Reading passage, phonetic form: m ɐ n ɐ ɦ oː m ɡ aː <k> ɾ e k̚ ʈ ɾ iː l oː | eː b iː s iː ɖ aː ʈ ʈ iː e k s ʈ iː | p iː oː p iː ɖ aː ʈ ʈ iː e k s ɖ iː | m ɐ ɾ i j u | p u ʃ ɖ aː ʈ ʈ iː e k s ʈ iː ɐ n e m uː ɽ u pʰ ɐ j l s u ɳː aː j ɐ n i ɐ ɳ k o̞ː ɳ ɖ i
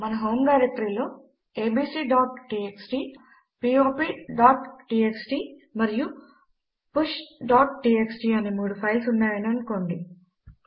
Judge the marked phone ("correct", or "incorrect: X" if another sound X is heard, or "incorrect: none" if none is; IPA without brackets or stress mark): incorrect: none